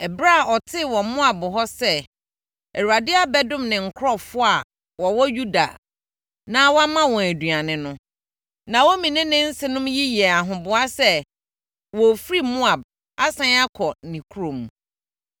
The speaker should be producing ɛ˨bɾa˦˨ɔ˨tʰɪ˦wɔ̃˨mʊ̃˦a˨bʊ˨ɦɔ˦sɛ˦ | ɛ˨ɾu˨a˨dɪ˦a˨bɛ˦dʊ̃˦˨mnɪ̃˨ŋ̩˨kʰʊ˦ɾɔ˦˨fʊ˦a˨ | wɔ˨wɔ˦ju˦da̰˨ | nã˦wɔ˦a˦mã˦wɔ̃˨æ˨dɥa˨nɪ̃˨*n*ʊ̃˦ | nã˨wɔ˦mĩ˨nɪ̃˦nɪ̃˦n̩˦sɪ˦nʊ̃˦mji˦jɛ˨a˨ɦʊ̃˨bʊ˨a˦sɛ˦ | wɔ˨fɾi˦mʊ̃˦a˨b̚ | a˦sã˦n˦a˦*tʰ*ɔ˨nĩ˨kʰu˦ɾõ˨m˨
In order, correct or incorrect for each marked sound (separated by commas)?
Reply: correct, incorrect